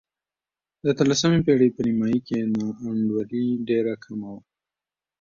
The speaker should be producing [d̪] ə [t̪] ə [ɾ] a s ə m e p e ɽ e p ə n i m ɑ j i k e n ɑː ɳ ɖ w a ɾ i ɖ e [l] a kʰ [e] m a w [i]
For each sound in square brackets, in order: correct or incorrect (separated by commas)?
correct, correct, incorrect, incorrect, incorrect, incorrect